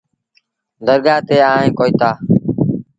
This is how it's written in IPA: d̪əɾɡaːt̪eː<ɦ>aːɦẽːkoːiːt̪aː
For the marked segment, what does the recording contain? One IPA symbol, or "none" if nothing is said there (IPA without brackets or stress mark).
none